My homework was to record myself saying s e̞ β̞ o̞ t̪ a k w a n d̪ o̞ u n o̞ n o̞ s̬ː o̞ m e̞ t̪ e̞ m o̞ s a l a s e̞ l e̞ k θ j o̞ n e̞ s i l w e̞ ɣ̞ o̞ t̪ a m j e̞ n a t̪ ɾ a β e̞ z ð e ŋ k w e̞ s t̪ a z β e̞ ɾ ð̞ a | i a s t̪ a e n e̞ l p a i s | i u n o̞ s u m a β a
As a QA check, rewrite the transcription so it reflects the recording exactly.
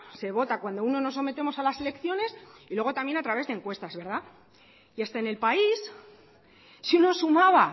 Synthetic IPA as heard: s e̞ β̞ o̞ t̪ a k w a n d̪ o̞ u n o̞ n o̞ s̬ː o̞ m e̞ t̪ e̞ m o̞ s a l a s e̞ l e̞ k θ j o̞ n e̞ s i l w e̞ ɣ̞ o̞ t̪ a m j e̞ n a t̪ ɾ a β e̞ z ð e ŋ k w e̞ s t̪ a z β e̞ ɾ ð̞ a | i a s t̪ a e n e̞ l p a i s | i u n o̞ s u m a β a